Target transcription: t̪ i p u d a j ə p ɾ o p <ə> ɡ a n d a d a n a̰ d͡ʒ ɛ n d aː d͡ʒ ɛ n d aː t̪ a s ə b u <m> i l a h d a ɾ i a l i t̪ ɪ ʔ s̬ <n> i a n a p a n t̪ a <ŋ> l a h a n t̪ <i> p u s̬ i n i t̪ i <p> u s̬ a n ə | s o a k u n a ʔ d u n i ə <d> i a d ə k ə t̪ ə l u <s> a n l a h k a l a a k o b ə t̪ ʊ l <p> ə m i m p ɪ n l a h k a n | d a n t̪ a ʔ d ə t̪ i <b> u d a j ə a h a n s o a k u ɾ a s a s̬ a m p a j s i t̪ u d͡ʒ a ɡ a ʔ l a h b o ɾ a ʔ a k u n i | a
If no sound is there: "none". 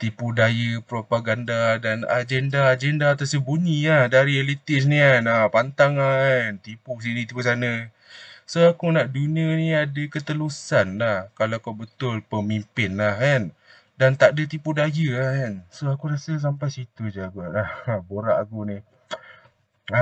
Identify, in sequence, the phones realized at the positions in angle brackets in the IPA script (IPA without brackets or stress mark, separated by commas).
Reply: a, ɲ, n, ŋ, i, p, n, s, p, p